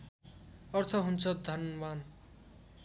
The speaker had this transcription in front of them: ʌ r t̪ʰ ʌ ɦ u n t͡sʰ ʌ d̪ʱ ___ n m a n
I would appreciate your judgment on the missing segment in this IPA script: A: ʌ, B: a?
A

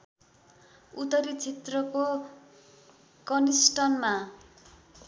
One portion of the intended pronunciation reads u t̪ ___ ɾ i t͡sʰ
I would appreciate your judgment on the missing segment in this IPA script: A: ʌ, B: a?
A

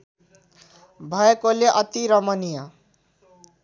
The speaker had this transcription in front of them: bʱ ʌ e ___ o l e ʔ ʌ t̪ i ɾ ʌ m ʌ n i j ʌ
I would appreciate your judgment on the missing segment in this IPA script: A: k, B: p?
A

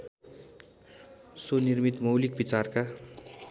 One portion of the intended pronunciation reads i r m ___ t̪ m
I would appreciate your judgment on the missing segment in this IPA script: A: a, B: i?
B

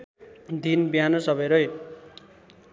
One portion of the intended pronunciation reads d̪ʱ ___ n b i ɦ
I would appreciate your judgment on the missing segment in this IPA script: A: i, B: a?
A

